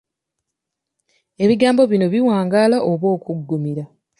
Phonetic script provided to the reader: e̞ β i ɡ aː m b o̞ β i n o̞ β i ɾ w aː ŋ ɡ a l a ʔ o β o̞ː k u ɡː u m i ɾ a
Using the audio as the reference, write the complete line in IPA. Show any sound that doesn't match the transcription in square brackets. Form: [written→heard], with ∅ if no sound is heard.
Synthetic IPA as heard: e̞ β i ɡ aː m b o̞ β i n o̞ β i [ɾ→∅] w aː ŋ ɡ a l a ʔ o β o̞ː k u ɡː u m i ɾ a